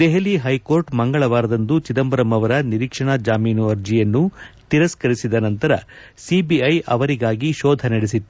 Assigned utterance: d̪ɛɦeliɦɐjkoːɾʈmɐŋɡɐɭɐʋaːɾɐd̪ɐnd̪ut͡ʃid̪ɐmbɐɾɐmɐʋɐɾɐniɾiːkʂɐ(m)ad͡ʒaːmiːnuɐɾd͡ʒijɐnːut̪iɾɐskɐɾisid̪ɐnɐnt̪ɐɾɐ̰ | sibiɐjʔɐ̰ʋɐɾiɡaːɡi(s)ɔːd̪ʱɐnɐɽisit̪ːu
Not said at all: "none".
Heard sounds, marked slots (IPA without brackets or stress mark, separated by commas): ɳ, ʃ